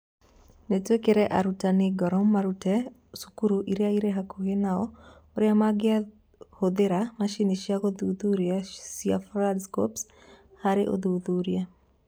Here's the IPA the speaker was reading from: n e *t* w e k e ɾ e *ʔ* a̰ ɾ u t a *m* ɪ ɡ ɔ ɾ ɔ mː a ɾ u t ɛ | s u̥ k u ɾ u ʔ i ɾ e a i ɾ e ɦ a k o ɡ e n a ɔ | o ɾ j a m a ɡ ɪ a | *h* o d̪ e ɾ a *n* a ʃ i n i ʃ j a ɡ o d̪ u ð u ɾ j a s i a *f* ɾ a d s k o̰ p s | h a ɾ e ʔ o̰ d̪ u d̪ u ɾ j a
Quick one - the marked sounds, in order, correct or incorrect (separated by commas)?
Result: correct, correct, incorrect, correct, incorrect, correct